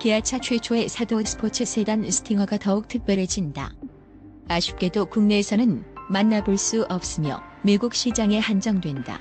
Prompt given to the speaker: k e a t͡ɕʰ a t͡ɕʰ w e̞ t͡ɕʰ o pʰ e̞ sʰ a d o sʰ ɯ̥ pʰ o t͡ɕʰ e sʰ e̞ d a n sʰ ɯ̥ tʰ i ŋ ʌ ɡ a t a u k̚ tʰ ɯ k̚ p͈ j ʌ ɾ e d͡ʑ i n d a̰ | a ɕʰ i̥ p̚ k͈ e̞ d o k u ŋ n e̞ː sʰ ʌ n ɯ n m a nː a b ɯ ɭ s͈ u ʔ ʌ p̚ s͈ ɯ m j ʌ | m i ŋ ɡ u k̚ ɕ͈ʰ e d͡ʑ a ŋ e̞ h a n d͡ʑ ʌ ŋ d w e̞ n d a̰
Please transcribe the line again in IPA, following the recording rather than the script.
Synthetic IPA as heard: k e a t͡ɕʰ a t͡ɕʰ w e̞ t͡ɕʰ o e̞ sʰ a d o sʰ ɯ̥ pʰ o t͡ɕʰ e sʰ e̞ d a n sʰ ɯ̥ tʰ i ŋ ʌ ɡ a t ʌ u k̚ tʰ ɯ k̚ p͈ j ʌ ɾ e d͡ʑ i n d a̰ | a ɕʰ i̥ p̚ k͈ e̞ d o k u ŋ n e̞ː sʰ ʌ n ɯ n m a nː a b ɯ ɭ s͈ u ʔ ʌ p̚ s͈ ɯ m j ʌ | m i ɡ u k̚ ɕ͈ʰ i d͡ʑ a ŋ e̞ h a n d͡ʑ ʌ ŋ d w e̞ n d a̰